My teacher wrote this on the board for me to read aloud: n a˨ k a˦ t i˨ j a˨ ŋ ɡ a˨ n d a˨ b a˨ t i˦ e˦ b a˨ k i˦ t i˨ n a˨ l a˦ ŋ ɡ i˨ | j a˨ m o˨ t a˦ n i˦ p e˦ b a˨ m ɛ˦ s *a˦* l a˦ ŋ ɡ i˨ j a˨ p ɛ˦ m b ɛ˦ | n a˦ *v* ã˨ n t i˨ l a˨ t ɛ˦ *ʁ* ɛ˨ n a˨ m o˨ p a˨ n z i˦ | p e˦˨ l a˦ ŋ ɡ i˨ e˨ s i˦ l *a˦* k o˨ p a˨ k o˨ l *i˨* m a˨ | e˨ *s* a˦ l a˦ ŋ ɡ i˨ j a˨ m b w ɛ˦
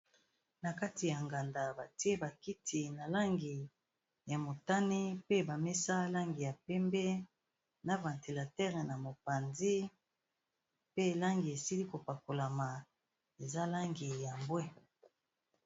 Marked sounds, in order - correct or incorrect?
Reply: correct, correct, correct, incorrect, incorrect, incorrect

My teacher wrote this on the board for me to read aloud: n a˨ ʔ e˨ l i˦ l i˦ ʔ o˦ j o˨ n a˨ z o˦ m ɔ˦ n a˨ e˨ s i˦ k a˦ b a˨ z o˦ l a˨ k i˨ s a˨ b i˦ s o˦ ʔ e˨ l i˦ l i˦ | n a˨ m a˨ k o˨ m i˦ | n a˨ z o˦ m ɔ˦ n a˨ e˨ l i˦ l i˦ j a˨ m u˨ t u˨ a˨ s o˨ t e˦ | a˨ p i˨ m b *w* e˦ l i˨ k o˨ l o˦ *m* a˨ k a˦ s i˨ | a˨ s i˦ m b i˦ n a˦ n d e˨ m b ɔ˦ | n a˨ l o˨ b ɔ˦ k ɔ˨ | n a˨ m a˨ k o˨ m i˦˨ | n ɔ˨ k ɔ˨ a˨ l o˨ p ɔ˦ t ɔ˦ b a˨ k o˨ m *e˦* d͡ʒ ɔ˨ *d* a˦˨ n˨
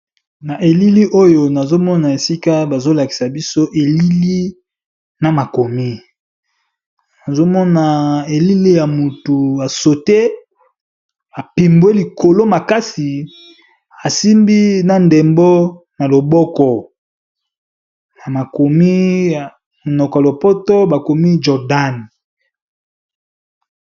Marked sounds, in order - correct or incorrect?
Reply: correct, correct, incorrect, correct

